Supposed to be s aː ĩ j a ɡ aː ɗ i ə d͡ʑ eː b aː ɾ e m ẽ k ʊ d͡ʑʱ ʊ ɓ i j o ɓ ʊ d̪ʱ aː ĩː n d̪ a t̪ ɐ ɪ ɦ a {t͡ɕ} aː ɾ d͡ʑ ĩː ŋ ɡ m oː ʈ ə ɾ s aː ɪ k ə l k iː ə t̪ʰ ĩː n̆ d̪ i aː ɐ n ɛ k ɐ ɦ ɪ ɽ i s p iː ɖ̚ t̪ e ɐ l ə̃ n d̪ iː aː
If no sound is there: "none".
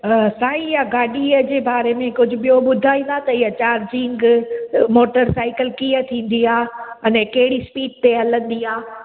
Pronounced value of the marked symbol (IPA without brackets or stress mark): t͡ɕ